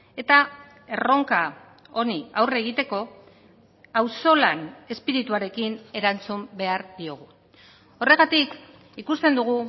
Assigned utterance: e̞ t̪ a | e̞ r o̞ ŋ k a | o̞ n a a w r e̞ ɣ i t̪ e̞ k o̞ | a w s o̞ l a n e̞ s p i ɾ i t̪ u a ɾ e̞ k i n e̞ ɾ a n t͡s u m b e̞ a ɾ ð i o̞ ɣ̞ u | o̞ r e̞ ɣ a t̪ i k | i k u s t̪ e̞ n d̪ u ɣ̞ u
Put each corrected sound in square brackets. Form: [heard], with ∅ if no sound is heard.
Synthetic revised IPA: e̞ t̪ a | e̞ r o̞ ŋ k a | o̞ n [i] a w r e̞ ɣ i t̪ e̞ k o̞ | a w s o̞ l a n e̞ s p i ɾ i t̪ u a ɾ e̞ k i n e̞ ɾ a n t͡s u m b e̞ a ɾ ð i o̞ ɣ̞ u | o̞ r e̞ ɣ a t̪ i k | i k u s t̪ e̞ n d̪ u ɣ̞ u